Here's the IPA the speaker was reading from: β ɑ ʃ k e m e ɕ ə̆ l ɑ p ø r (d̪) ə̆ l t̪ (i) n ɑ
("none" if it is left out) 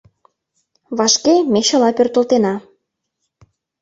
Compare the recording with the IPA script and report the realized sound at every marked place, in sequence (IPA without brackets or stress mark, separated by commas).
t̪, e